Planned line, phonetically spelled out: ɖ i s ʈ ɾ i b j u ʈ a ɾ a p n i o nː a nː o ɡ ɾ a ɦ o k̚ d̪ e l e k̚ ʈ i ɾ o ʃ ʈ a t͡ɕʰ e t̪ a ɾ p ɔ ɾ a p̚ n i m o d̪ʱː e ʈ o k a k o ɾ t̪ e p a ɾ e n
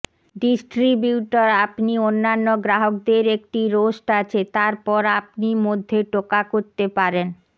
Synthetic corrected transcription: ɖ i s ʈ ɾ i b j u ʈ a ɾ a p n i o nː a nː o ɡ ɾ a ɦ o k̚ d̪ e ɾ e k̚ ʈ i ɾ o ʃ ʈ a t͡ɕʰ e t̪ a ɾ p ɔ ɾ a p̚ n i m o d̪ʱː e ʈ o k a k o ɾ t̪ e p a ɾ e n